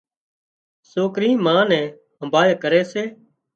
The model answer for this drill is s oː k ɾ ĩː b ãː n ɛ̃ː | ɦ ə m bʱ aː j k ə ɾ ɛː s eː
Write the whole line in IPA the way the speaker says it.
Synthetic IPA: s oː k ɾ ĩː m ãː n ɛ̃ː | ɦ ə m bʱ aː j k ə ɾ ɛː s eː